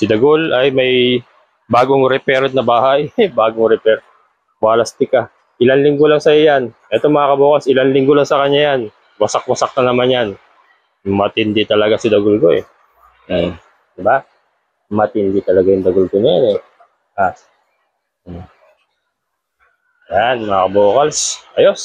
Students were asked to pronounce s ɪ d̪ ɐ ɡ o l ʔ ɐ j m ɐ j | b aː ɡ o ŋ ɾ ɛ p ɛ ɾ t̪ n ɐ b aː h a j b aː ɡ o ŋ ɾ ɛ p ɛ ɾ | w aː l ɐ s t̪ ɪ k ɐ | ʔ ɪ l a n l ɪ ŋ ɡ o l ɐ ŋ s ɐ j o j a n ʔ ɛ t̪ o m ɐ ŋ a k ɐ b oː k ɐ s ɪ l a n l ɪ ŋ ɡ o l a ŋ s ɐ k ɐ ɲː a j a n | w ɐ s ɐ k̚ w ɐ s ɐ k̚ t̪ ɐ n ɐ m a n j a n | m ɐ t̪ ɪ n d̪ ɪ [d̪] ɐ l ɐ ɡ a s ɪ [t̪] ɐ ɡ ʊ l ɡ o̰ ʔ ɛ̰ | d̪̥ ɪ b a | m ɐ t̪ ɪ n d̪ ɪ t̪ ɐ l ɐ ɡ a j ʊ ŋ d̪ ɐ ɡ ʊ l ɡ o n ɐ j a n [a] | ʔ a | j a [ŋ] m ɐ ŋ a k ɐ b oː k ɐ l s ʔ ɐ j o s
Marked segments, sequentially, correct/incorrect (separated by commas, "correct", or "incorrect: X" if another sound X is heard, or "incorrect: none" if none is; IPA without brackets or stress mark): incorrect: t̪, incorrect: d̪, incorrect: ɛ, incorrect: n